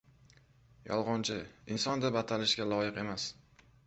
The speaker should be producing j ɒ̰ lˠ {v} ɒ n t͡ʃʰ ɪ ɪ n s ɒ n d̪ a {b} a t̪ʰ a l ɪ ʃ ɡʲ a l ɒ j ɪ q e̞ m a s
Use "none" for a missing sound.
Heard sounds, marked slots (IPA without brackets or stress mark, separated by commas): ʁ, b